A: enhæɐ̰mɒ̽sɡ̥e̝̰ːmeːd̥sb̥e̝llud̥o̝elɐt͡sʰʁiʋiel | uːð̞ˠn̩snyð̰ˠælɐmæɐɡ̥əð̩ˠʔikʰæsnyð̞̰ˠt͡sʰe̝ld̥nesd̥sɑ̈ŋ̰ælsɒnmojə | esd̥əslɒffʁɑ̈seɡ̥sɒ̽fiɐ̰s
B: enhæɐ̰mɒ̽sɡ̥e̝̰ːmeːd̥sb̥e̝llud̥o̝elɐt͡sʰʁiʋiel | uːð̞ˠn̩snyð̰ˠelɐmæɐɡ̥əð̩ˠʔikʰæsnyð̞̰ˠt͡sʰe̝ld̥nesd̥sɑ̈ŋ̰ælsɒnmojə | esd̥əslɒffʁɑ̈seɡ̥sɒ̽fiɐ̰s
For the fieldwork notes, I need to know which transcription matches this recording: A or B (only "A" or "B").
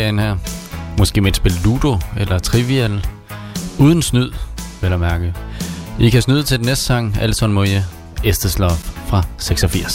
B